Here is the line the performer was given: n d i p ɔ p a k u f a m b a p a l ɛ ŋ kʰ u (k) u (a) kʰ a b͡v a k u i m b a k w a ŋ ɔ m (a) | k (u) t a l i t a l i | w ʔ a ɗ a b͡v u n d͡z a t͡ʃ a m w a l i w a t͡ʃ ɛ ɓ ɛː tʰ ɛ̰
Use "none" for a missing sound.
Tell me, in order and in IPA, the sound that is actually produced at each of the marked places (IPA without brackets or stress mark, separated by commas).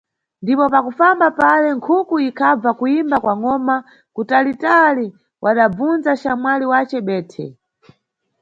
k, i, a, u